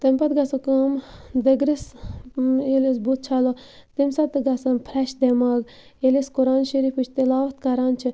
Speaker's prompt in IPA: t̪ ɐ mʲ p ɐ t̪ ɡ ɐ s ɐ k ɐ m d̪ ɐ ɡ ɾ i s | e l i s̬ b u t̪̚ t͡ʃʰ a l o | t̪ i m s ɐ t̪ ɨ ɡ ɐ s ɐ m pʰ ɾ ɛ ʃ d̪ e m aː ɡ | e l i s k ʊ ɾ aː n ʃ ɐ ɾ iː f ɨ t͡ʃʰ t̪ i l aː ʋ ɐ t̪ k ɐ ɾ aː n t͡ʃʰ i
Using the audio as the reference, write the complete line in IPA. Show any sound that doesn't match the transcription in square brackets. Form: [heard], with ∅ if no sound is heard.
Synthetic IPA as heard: t̪ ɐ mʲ p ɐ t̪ ɡ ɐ s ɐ k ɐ m d̪ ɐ ɡ ɾ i s | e l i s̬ b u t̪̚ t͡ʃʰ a l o | t̪ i m s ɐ t̪ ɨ ɡ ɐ s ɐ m pʰ ɾ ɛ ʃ d̪ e m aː ɡ | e l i s k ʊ ɾ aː n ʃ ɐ ɾ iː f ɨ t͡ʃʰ t̪ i l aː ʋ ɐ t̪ k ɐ ɾ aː n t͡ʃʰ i